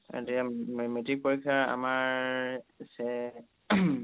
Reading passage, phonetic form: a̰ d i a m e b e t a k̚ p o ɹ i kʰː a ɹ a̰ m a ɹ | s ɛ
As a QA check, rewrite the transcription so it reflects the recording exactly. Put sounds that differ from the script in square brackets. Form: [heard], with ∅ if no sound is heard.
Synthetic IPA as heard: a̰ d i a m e [m] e t [i] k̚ p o ɹ i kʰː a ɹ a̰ m a ɹ | s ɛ